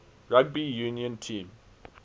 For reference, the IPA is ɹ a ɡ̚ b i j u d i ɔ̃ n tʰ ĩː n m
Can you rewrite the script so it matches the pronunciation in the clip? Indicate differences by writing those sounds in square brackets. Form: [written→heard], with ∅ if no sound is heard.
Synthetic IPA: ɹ a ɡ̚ b i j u [d→n] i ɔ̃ n tʰ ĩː [n→∅] m